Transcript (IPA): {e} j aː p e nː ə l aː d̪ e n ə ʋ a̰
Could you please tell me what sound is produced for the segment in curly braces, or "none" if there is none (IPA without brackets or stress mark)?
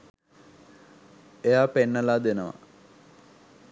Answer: e